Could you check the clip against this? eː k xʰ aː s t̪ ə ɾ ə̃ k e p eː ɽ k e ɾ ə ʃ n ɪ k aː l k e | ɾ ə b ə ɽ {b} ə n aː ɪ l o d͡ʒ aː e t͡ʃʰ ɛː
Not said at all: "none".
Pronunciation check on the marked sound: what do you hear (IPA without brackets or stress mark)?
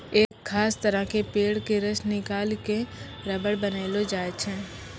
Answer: b